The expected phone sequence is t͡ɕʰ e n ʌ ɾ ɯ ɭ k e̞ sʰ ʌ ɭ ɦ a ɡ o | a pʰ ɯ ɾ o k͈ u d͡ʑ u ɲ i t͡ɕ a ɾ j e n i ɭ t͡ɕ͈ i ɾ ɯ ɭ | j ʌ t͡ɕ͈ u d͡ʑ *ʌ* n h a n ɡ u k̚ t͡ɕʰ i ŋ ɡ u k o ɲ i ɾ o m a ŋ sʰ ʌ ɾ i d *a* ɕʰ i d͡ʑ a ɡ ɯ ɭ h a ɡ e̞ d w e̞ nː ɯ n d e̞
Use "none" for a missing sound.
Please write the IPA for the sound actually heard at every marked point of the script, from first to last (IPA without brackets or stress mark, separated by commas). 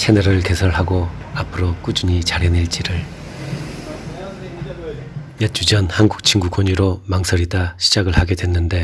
ʌ, a